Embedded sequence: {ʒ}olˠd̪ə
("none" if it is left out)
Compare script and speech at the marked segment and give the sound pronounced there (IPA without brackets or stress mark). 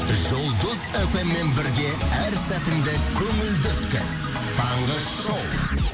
ʒ